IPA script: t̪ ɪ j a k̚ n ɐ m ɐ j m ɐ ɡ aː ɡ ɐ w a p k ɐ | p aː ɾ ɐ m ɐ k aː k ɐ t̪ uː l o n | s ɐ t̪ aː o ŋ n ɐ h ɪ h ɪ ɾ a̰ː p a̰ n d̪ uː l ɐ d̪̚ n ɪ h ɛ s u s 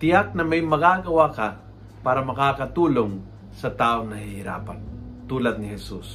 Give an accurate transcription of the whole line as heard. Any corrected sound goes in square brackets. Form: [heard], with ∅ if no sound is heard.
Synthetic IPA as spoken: t̪ ɪ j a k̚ n ɐ m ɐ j m ɐ ɡ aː ɡ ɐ w a [∅] k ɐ | p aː ɾ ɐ m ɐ k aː k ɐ t̪ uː l o [ŋ] | s ɐ t̪ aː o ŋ n ɐ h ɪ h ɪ ɾ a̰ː p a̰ n [t̪] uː l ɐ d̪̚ n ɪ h ɛ s u s